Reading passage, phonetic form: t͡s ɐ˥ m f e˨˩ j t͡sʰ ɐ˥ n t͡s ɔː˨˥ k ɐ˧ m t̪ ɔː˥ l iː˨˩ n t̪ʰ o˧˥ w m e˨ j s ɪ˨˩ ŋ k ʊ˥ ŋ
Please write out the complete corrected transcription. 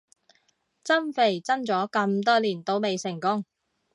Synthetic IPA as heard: t͡s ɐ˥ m f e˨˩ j t͡s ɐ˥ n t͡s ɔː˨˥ k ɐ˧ m t̪ ɔː˥ l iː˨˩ n t̪ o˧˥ w m e˨ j s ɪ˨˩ ŋ k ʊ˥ ŋ